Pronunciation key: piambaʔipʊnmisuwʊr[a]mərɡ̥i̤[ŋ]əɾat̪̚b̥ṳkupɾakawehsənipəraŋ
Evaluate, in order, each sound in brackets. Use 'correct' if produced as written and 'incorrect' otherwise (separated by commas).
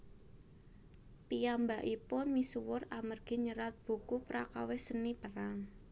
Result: correct, incorrect